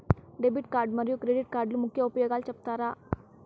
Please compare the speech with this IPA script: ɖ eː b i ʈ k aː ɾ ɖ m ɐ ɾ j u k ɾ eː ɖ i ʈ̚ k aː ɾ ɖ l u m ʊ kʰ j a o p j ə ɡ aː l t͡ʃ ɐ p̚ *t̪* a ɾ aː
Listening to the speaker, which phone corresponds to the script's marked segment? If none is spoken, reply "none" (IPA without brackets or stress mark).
t̪